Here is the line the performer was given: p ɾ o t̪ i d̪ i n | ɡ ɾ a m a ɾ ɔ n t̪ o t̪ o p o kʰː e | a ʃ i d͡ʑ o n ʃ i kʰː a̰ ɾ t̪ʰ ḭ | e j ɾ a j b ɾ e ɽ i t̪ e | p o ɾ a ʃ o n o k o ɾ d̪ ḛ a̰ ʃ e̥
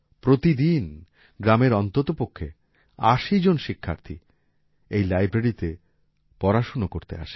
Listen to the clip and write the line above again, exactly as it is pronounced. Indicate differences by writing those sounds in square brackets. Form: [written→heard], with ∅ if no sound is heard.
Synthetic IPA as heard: p ɾ o t̪ i d̪ i n | ɡ ɾ a m [a→e] ɾ ɔ n t̪ o t̪ o p o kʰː e | a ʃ i d͡ʑ o n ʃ i kʰː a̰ ɾ t̪ʰ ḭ | e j [ɾ→l] a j b ɾ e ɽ i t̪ e | p [o→ɔ] ɾ a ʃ o n o k o ɾ [d̪→t̪] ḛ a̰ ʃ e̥